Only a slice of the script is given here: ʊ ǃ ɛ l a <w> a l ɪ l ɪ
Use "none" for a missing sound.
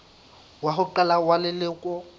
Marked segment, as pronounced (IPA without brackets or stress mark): w